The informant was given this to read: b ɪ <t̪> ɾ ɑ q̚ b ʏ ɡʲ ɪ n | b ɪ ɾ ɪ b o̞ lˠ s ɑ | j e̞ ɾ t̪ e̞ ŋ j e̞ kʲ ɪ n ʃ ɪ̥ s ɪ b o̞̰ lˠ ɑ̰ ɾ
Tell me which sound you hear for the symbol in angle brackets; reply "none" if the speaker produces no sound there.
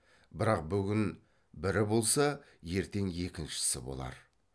none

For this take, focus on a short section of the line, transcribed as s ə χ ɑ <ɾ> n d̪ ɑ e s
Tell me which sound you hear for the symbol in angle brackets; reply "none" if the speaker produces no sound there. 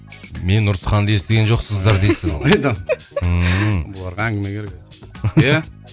none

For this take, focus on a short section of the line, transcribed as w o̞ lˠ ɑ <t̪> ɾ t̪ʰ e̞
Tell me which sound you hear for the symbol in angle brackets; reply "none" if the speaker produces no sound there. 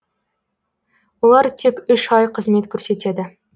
none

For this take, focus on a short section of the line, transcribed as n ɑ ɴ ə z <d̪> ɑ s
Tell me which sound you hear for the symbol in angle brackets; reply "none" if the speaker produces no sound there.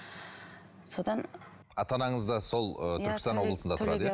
d̪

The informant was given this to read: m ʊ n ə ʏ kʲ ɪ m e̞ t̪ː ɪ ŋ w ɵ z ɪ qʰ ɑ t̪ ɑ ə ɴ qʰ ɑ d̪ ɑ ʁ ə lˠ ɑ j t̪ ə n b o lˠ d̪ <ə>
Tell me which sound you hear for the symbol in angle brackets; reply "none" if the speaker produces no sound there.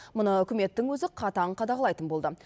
ə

